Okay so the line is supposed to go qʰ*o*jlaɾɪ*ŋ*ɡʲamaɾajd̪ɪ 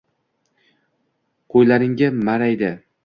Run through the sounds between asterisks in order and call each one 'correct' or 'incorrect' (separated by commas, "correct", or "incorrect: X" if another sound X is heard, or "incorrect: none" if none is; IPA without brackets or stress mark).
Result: correct, correct